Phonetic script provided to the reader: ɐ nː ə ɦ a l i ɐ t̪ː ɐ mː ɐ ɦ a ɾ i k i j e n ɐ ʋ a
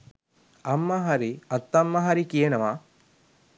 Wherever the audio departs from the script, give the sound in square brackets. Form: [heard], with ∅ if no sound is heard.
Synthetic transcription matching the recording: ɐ [mː] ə ɦ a [ɾ] i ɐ t̪ː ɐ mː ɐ ɦ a ɾ i k i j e n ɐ ʋ a